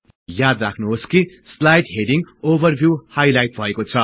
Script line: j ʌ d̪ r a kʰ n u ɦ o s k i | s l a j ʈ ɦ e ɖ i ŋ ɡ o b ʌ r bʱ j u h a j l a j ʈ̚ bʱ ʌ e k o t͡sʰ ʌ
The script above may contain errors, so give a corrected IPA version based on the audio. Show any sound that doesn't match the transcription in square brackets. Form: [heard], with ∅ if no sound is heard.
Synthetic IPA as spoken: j [a] d̪ r a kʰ n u ɦ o s k i | s l a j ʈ ɦ e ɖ i ŋ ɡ o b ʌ r bʱ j u h a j l a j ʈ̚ bʱ ʌ e k o t͡sʰ ʌ